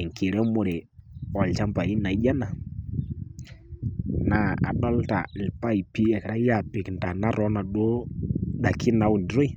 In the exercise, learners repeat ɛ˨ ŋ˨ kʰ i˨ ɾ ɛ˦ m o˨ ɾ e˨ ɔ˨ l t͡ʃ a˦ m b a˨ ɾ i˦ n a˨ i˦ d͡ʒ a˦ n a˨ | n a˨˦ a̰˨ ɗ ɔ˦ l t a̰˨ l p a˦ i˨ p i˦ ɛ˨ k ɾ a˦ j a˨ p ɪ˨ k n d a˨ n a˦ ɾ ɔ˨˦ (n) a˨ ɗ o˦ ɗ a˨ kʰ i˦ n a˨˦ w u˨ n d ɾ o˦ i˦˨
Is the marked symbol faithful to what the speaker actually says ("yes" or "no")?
yes